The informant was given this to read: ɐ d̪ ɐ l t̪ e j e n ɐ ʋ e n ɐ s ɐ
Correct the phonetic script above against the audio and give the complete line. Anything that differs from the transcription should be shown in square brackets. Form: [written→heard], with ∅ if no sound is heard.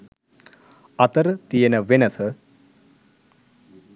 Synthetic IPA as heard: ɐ [d̪→t̪] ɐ [l→ɾ] t̪ [e→i] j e n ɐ ʋ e n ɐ s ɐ